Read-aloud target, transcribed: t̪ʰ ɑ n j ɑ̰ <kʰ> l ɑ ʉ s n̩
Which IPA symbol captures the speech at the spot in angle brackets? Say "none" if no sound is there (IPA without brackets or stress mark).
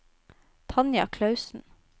kʰ